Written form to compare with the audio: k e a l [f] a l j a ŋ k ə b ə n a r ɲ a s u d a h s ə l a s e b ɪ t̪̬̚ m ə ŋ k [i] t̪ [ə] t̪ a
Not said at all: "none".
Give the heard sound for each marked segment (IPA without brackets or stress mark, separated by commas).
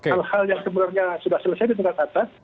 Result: h, a, a